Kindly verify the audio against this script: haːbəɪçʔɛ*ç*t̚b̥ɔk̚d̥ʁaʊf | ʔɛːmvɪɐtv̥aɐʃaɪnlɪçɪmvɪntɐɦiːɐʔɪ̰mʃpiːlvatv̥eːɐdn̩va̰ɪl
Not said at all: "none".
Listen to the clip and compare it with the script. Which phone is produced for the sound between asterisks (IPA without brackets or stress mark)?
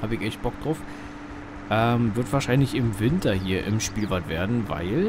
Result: ç